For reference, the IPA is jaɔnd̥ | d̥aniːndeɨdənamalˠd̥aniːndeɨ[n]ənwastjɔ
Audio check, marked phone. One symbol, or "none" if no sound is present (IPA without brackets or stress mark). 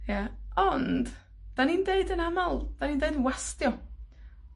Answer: d